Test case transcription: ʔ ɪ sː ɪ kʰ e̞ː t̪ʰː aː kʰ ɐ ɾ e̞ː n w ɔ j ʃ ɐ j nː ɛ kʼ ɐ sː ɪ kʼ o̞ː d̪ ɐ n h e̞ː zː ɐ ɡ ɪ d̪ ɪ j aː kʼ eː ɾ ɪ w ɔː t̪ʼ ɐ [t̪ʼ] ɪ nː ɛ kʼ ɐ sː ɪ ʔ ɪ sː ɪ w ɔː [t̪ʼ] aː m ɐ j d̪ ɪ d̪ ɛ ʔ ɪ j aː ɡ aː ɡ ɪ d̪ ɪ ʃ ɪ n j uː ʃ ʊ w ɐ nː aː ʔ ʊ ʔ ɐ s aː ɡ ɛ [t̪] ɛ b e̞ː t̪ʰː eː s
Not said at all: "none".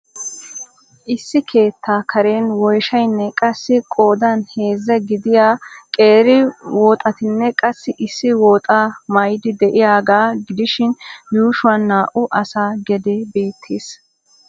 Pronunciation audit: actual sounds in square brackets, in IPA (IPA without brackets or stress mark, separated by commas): t̪, t̪ʼ, d̪